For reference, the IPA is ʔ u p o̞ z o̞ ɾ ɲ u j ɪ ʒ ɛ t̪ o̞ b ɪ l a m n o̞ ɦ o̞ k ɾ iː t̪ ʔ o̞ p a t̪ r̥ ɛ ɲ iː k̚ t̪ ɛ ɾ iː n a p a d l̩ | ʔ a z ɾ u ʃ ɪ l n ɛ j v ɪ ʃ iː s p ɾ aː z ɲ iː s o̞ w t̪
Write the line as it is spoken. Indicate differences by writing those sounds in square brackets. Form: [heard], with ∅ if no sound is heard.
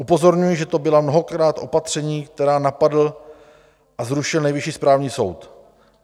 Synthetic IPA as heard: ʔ u p o̞ z o̞ ɾ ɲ u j ɪ ʒ ɛ t̪ o̞ b ɪ l a m n o̞ ɦ o̞ k ɾ [aː] t̪ ʔ o̞ p a t̪ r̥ ɛ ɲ iː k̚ t̪ ɛ ɾ [aː] n a p a d l̩ | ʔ a z ɾ u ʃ ɪ l n ɛ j v ɪ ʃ iː s p ɾ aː [v] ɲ iː s o̞ w t̪